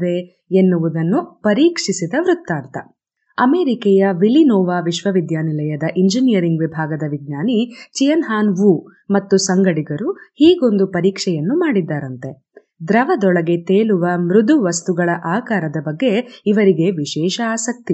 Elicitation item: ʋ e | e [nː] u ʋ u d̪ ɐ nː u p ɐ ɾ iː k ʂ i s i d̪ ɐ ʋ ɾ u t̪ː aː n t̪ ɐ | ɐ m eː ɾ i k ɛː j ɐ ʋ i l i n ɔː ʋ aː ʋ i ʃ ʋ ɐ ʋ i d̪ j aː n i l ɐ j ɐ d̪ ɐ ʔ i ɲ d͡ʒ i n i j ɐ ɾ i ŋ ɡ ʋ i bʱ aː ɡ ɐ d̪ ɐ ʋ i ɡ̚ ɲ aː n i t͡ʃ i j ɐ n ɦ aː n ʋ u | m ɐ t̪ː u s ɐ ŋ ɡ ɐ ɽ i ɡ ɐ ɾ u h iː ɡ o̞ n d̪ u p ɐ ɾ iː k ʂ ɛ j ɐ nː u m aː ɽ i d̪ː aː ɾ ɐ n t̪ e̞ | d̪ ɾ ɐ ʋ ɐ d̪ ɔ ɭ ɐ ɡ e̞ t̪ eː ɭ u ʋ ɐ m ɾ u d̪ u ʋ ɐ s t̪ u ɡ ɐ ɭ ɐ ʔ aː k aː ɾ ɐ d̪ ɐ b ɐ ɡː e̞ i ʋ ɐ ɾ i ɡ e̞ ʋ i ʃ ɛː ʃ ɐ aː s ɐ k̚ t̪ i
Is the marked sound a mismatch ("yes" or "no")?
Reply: no